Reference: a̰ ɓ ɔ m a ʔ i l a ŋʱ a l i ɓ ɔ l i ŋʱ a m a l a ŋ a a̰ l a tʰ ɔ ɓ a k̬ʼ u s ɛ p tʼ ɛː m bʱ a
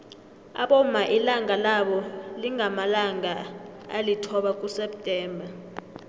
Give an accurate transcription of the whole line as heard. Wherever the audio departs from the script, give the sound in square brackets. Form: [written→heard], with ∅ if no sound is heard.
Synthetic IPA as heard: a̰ ɓ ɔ m a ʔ i l a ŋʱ a l [i→a] ɓ ɔ l i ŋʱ a m a l a ŋ a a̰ l [a→i] tʰ ɔ ɓ a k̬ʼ u s ɛ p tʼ ɛː m bʱ a